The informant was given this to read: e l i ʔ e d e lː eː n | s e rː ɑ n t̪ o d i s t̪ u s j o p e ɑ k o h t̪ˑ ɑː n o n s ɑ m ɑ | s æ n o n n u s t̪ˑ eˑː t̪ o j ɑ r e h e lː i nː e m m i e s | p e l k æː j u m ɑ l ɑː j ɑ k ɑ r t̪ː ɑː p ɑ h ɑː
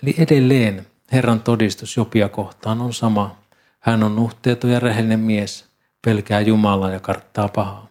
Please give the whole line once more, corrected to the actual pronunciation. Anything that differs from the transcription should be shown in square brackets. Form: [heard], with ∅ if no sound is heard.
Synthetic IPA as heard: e l i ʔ e d e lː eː n | [h] e rː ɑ n t̪ o d i s t̪ u s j o p [i] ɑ k o h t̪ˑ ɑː n o n s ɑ m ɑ | [h] æ n o n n u [h] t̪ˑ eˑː t̪ o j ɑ r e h e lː i [n] e m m i e s | p e l k æː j u m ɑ l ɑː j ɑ k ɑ r t̪ː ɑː p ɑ h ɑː